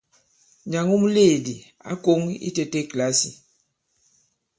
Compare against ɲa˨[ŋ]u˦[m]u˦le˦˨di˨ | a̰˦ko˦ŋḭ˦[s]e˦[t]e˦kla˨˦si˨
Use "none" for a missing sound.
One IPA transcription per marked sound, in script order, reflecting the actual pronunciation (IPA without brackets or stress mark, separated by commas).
ŋ, m, t, t